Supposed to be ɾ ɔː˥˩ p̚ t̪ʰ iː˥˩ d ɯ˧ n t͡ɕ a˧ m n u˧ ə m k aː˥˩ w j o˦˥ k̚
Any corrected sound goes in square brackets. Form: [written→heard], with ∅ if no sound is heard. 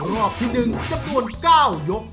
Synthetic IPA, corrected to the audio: ɾ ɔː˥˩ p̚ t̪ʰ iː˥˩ [d→n] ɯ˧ [n→ŋ] t͡ɕ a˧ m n u˧ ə [m→n] k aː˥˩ w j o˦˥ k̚